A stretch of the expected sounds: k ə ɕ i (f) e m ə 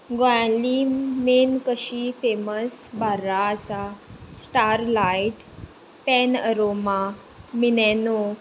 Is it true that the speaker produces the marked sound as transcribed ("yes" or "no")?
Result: yes